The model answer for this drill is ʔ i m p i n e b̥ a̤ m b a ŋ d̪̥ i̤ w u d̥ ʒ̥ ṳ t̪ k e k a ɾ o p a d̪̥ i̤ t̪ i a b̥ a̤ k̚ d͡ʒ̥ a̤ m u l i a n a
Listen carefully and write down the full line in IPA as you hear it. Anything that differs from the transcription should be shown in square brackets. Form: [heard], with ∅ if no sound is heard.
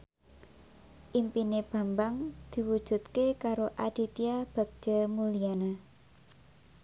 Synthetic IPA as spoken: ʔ i m p i n e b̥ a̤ m b a ŋ d̪̥ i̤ w u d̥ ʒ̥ ṳ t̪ k e k a ɾ o [ʔ] a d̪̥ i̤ t̪ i a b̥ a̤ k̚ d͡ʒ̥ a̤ m u l i a n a